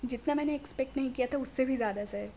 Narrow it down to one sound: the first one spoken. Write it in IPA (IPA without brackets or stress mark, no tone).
d͡ʒ